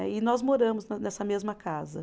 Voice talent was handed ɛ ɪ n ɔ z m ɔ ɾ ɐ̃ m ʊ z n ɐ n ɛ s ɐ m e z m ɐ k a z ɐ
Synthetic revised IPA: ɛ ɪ n ɔ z m o ɾ ɐ̃ m ʊ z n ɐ n ɛ s ɐ m e z m ɐ k a z ɐ